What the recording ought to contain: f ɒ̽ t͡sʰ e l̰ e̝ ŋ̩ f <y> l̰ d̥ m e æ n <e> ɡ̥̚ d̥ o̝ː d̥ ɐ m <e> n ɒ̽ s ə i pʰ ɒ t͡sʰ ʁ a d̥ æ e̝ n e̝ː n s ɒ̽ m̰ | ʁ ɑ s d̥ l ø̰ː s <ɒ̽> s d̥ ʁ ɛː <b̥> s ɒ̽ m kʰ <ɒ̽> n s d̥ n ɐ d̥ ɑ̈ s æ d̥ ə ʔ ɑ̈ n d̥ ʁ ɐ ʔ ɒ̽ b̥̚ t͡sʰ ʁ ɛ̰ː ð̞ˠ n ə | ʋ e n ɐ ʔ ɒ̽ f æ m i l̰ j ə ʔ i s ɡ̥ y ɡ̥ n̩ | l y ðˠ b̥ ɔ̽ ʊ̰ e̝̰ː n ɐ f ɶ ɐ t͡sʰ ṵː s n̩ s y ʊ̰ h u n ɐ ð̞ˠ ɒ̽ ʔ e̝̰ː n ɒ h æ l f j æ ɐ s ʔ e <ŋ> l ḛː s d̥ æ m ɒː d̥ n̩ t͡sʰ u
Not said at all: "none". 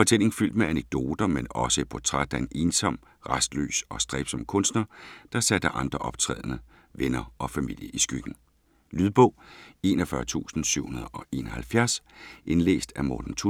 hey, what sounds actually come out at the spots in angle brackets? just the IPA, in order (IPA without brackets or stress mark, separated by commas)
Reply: y, e, e, ɒ̽, b̥, ɔ̽, n